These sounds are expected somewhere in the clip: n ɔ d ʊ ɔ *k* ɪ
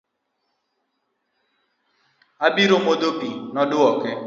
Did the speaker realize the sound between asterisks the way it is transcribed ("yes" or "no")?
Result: yes